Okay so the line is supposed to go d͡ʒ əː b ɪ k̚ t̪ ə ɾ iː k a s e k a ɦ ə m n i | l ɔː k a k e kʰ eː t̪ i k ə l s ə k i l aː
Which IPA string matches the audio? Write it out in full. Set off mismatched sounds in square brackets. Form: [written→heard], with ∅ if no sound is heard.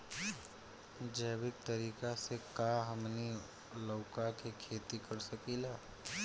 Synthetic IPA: d͡ʒ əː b ɪ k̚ t̪ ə ɾ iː k a s e k a ɦ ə m n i | l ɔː k a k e kʰ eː t̪ i k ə [l→ɾ] s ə k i l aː